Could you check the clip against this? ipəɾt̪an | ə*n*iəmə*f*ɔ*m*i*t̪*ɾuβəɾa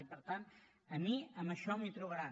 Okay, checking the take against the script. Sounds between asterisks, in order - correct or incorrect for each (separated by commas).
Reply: incorrect, incorrect, correct, correct